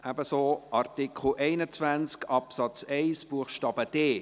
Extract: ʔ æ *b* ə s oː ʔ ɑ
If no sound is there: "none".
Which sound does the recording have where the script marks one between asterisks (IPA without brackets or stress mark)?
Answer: b